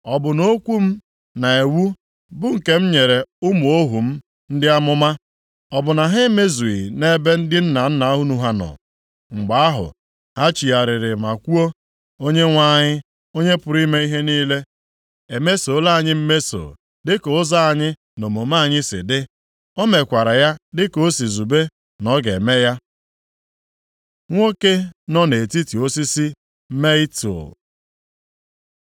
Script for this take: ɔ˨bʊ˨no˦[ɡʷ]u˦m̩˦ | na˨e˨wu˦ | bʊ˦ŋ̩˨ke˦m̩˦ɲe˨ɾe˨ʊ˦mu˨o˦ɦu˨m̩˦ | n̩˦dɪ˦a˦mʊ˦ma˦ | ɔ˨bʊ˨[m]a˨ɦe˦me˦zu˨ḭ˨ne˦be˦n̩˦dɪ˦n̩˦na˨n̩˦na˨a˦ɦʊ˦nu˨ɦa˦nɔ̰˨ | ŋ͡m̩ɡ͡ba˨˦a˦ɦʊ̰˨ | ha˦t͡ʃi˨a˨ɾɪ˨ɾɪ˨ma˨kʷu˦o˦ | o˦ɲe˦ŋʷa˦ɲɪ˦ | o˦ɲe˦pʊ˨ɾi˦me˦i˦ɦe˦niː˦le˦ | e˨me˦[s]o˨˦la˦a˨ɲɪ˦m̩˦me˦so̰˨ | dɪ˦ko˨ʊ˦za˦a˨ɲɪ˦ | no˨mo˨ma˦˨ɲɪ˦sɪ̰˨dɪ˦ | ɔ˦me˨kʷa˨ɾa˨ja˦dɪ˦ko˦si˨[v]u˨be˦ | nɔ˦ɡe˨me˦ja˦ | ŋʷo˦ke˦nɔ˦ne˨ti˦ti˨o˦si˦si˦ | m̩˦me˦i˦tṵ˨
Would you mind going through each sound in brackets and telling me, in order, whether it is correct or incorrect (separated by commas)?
incorrect, incorrect, correct, incorrect